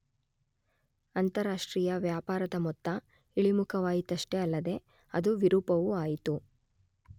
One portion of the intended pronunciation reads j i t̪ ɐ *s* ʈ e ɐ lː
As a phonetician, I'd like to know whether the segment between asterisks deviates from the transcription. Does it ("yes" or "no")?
yes